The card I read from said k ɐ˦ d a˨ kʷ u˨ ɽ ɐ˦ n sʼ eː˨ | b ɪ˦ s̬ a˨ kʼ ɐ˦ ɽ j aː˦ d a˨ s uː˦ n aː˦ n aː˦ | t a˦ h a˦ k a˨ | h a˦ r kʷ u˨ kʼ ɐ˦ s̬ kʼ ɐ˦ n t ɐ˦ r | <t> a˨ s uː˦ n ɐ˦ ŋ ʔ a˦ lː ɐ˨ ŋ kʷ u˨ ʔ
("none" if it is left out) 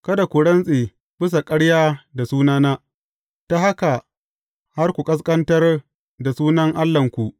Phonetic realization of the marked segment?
d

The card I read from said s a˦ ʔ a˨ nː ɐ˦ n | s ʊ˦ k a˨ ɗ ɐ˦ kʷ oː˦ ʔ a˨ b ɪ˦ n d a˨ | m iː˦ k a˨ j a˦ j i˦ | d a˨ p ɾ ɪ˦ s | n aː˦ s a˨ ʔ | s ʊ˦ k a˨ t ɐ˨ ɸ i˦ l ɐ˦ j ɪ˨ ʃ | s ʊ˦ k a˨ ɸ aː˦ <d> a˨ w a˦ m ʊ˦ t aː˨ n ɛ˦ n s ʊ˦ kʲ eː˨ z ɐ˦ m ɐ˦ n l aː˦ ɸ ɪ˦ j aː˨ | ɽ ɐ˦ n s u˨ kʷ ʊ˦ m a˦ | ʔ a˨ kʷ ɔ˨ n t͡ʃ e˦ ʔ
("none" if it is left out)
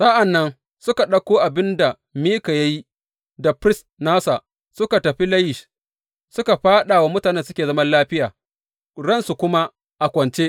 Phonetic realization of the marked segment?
ɗ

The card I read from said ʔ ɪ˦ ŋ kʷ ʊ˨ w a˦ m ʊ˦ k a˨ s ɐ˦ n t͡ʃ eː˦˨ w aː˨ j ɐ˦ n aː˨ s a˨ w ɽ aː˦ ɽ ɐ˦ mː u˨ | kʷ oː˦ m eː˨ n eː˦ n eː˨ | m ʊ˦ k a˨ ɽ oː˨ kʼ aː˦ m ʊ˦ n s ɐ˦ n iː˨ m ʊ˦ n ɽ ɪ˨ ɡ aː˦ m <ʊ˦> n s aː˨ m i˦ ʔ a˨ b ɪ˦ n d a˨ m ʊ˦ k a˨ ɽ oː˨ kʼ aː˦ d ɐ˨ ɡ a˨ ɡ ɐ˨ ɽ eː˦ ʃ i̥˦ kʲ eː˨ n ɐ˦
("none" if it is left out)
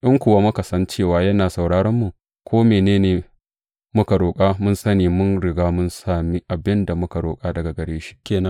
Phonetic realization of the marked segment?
ʊ˦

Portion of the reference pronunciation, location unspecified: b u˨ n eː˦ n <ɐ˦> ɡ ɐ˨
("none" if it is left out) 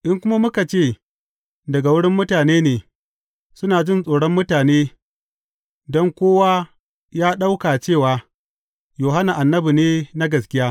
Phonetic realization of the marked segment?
a˦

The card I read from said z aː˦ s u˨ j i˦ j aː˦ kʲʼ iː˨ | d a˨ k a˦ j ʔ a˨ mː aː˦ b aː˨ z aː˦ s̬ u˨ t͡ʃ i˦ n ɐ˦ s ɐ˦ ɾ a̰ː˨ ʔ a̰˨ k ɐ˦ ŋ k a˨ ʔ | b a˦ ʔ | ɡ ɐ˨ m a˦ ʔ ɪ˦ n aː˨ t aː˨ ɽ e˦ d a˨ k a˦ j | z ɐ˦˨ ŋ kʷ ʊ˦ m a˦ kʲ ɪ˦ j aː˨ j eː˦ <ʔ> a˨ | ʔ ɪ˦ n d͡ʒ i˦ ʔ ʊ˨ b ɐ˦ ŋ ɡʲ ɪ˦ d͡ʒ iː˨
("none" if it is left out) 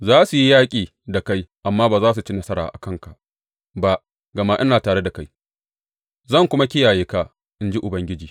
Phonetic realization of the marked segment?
k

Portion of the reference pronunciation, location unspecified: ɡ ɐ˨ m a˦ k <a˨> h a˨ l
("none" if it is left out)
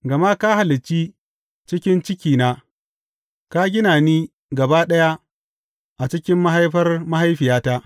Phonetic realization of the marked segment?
a˦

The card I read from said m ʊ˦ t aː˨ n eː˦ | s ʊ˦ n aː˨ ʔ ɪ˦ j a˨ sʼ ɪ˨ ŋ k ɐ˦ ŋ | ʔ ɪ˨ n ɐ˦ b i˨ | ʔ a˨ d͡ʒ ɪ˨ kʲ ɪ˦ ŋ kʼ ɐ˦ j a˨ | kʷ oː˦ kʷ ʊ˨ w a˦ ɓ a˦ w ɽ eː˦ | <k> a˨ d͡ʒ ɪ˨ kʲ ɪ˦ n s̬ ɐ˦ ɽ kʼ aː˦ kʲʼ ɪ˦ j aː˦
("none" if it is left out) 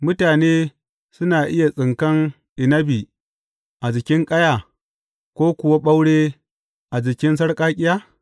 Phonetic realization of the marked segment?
ʔ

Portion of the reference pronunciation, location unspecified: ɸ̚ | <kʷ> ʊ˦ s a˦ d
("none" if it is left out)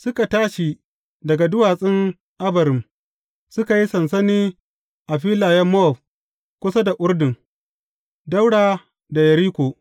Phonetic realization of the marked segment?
kʷ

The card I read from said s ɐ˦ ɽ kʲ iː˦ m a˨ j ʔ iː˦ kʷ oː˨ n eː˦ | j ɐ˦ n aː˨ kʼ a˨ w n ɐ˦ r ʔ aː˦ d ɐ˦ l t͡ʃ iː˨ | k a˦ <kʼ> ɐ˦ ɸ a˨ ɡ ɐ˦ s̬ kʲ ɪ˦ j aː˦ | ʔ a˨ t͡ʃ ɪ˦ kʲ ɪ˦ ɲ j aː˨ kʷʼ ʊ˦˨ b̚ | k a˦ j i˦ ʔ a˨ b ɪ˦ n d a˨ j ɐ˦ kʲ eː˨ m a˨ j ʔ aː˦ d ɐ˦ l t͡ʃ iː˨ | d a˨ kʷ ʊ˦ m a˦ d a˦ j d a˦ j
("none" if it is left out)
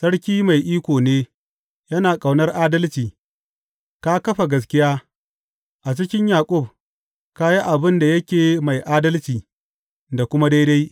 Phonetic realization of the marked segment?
k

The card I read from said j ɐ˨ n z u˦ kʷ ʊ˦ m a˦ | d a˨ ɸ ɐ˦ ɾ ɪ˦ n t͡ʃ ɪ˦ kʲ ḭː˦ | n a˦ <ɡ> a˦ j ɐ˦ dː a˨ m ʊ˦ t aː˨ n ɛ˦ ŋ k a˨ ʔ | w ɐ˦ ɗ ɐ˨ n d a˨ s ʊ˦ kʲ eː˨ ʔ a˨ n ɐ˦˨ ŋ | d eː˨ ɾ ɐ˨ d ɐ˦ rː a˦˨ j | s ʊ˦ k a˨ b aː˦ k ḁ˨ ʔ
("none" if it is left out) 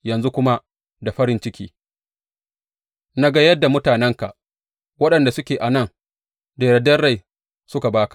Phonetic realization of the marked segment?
ɡ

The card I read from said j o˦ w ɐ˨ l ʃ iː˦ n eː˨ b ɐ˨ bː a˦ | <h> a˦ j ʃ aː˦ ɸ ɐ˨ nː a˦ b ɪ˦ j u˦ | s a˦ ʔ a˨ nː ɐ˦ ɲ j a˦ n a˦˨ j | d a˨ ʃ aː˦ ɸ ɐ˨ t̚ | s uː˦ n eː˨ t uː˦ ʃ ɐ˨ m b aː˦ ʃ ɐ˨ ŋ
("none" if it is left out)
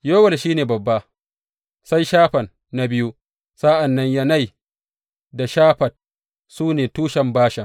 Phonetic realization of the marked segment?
s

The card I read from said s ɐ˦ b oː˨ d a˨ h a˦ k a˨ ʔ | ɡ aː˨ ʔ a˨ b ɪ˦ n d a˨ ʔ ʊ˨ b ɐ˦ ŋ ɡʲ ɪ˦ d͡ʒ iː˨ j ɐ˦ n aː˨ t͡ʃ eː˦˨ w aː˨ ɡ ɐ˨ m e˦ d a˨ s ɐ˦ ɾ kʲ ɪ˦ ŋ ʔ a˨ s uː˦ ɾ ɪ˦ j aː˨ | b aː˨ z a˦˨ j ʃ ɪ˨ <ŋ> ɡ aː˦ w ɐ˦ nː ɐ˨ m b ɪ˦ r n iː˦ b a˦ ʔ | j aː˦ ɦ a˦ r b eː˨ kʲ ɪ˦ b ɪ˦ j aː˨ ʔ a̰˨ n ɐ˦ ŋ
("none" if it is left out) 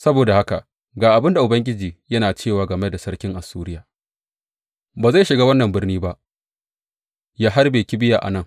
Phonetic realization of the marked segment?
none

